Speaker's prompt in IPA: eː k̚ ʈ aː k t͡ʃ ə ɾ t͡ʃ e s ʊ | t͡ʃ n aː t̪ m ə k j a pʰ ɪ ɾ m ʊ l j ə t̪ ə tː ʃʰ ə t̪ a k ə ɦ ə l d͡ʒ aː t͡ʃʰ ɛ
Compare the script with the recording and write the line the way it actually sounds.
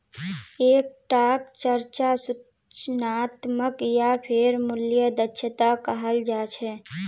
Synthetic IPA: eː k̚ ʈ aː k t͡ʃ ə ɾ t͡ʃ a s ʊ | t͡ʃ n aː t̪ m ə k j a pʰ ɪ ɾ m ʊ l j ə d̪ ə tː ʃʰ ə t̪ a k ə ɦ ə l d͡ʒ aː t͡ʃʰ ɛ